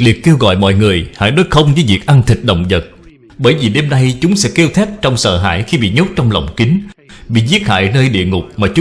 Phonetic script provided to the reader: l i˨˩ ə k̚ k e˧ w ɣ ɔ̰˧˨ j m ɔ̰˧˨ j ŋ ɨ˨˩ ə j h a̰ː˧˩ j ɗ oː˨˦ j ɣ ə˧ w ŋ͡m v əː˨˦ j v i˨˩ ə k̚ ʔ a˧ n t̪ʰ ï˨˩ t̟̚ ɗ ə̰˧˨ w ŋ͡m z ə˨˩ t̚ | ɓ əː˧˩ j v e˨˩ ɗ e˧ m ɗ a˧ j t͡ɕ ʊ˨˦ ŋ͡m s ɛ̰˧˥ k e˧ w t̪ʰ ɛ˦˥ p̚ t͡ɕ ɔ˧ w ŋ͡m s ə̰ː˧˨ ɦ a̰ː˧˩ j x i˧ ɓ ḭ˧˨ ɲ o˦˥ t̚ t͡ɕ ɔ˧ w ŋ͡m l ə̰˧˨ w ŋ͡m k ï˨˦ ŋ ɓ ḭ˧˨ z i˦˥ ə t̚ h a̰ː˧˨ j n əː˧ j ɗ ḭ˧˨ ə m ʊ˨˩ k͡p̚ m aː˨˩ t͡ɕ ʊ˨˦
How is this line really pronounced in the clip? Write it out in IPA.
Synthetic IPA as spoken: l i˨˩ ə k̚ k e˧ w ɣ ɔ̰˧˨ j m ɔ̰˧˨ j ŋ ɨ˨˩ ə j h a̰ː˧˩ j ɗ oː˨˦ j x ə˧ w ŋ͡m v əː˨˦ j v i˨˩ ə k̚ ʔ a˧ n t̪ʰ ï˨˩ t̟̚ ɗ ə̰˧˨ w ŋ͡m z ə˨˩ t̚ | ɓ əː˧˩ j v i˨˩ ɗ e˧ m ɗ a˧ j t͡ɕ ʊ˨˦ ŋ͡m s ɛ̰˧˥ k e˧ w t̪ʰ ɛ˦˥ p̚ t͡ɕ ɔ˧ w ŋ͡m s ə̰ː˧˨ ɦ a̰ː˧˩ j x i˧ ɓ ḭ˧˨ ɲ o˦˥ t̚ t͡ɕ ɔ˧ w ŋ͡m l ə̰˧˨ w ŋ͡m k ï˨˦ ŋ ɓ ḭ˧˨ z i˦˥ ə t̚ h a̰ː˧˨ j n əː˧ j ɗ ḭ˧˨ ə ŋ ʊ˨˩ k͡p̚ m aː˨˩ t͡ɕ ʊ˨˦

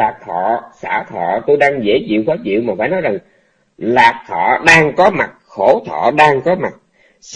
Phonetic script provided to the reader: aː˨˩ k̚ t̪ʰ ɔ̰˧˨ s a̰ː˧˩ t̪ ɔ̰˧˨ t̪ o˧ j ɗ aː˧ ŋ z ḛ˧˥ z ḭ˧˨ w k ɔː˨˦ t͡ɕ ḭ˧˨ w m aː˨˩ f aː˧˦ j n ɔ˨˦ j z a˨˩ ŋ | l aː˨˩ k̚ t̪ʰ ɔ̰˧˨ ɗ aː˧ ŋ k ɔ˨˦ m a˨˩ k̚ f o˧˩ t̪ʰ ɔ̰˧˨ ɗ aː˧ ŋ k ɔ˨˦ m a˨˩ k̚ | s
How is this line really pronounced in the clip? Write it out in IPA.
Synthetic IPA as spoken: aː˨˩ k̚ t̪ʰ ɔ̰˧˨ s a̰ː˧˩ t̪ʰ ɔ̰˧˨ t̪ o˧ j ɗ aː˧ ŋ z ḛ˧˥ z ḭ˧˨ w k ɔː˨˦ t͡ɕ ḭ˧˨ w m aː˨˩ f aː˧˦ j n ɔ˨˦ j z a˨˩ ŋ | l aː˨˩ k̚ t̪ʰ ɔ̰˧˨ ɗ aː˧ ŋ k ɔ˨˦ m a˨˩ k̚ x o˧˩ t̪ʰ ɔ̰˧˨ ɗ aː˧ ŋ k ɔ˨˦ m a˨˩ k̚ | s

